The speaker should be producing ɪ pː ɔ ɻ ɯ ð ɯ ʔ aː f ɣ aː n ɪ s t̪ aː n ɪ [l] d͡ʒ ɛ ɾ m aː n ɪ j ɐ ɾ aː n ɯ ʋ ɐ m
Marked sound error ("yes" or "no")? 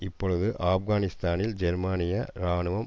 no